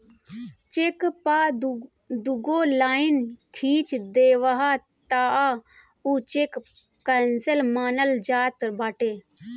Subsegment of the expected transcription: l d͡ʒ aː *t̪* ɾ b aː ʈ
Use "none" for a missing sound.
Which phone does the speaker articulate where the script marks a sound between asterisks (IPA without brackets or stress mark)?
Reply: t̪